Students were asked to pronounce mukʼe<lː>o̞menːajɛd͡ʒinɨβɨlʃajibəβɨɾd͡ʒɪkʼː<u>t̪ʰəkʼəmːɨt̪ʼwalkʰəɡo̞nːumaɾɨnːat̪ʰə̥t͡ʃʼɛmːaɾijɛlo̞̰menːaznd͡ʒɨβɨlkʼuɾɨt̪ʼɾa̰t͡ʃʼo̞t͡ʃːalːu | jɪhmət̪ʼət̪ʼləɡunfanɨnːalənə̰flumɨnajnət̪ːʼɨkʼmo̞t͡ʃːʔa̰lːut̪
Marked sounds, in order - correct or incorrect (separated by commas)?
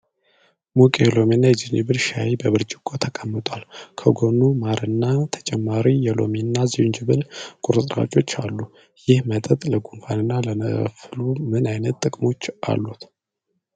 incorrect, incorrect